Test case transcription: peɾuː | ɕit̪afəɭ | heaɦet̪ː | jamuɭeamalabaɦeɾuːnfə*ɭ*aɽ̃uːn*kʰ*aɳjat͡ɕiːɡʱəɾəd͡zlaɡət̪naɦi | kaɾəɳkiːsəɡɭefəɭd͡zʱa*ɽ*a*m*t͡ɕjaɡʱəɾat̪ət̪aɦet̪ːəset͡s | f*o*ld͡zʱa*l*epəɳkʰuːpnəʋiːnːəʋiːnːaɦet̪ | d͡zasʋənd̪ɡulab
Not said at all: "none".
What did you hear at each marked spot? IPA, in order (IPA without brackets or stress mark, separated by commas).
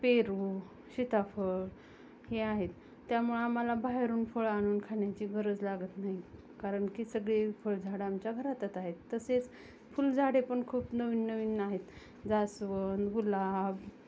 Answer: ɭ, kʰ, ɽ, m, u, ɽ